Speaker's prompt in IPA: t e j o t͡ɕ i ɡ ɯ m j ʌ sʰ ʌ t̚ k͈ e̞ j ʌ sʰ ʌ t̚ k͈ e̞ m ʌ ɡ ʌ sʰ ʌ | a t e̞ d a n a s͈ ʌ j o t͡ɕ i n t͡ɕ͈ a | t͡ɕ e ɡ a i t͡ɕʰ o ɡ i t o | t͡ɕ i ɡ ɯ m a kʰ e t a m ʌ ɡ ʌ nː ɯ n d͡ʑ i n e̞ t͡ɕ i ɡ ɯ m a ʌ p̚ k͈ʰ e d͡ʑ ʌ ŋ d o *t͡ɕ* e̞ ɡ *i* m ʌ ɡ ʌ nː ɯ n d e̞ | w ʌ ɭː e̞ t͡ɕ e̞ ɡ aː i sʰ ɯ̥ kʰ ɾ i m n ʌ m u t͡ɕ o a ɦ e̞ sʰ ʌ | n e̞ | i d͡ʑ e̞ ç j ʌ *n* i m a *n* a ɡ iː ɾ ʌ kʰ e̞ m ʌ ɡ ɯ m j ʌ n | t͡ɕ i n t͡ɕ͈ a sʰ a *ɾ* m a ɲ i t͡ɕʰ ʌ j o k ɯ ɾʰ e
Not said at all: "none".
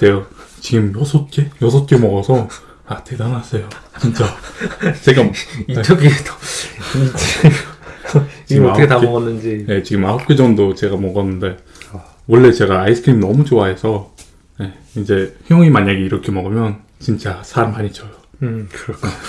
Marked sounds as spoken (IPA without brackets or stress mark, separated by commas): t͡ɕ, a, ŋ, ɲ, ɾ